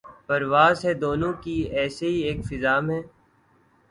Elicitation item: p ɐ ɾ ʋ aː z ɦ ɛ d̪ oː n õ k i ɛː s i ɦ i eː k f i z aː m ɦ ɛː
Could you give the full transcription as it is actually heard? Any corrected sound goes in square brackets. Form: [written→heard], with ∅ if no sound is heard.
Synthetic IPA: p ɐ ɾ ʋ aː z ɦ ɛ d̪ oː n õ k i ɛː s [i→e] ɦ i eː k f [i→ɪ] z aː m ɦ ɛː